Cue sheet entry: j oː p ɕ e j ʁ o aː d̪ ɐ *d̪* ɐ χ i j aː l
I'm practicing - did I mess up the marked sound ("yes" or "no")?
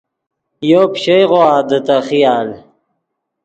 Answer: yes